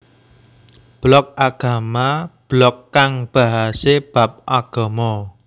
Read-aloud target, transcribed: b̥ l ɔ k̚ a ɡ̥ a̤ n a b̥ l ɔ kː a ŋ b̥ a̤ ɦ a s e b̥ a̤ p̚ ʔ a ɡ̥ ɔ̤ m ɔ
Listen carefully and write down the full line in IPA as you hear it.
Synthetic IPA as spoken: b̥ l ɔ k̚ a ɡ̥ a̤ m a b̥ l ɔ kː a ŋ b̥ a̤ ɦ a s e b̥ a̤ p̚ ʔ a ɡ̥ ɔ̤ m ɔ